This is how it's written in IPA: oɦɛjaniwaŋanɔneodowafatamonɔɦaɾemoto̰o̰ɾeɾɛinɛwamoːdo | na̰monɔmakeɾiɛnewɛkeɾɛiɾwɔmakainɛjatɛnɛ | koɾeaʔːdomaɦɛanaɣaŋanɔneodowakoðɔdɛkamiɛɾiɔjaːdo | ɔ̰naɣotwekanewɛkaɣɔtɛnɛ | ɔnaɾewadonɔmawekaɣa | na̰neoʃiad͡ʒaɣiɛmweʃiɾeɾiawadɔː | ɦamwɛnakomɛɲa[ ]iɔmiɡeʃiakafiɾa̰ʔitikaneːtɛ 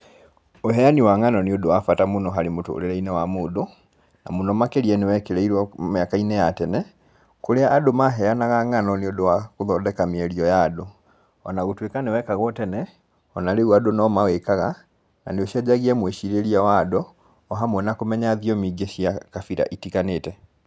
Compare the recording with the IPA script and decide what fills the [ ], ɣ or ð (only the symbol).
ð